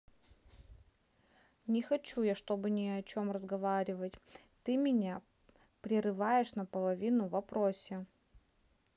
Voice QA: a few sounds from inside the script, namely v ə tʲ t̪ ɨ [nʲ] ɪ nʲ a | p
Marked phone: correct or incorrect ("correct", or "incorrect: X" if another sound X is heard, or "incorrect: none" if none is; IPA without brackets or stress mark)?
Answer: incorrect: mʲ